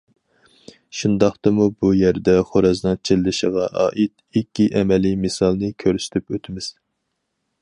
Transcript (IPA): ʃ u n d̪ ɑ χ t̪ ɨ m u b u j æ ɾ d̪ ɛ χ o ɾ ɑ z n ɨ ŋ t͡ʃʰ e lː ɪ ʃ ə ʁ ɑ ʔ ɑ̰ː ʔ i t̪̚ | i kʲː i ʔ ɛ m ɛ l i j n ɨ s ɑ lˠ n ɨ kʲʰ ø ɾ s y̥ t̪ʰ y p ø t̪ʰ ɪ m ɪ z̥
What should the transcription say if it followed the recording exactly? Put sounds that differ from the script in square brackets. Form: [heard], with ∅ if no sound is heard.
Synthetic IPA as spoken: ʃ u n d̪ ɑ χ t̪ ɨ m u b u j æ ɾ d̪ ɛ χ o ɾ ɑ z n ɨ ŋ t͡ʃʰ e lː ɪ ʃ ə ʁ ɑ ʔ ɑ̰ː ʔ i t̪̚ | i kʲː i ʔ ɛ m ɛ l i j [m] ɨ s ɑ lˠ n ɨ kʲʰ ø ɾ s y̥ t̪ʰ y p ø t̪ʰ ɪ m ɪ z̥